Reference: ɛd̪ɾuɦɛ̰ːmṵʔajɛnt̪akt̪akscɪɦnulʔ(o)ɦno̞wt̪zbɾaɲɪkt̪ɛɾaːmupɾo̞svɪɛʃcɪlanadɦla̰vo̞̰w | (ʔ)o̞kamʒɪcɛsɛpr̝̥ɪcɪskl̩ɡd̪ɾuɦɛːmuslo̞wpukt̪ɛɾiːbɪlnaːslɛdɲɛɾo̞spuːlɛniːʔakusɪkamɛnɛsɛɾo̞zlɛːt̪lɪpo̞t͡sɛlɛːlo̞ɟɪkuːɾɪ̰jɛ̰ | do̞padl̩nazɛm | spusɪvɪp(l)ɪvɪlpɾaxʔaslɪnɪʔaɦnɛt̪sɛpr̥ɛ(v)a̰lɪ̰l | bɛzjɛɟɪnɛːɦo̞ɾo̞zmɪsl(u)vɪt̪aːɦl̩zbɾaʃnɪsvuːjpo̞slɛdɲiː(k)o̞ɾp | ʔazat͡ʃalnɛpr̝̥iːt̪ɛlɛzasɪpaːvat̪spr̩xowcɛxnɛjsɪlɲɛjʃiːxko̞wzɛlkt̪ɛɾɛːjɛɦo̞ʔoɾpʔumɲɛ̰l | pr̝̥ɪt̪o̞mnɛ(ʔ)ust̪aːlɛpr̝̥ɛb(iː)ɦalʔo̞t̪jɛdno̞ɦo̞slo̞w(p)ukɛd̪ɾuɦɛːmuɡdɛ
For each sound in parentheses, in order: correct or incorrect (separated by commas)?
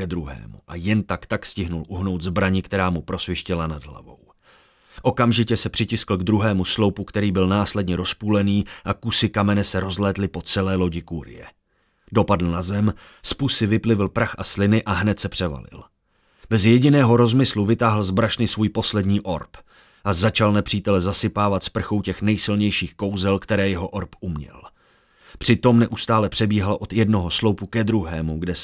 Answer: incorrect, correct, correct, correct, correct, incorrect, correct, correct, correct